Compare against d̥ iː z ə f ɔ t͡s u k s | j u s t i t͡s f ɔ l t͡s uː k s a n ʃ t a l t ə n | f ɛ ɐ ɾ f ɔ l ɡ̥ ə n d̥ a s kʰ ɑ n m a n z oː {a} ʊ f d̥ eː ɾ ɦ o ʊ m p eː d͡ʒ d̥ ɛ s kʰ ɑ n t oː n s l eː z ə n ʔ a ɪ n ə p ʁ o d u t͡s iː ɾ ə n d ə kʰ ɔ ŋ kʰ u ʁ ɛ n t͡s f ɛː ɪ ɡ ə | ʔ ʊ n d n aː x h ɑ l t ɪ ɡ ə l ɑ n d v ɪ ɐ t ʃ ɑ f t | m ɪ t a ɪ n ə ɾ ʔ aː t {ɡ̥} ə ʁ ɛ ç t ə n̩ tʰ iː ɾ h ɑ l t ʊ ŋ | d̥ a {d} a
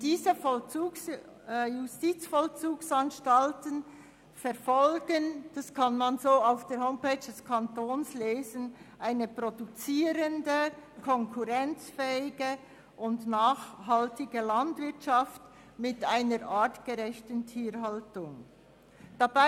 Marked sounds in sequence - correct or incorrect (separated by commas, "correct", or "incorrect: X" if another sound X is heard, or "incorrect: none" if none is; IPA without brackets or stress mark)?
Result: correct, correct, incorrect: b